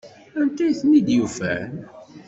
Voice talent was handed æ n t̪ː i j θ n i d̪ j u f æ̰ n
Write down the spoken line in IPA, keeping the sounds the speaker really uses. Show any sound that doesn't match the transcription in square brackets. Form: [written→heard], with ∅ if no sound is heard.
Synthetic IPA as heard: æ n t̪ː [i→æ] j θ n i d̪ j u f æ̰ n